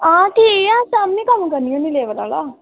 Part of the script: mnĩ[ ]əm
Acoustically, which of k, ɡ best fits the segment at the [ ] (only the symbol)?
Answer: k